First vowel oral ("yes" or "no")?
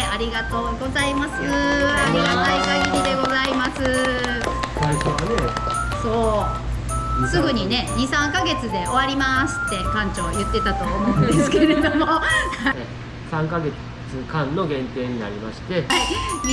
yes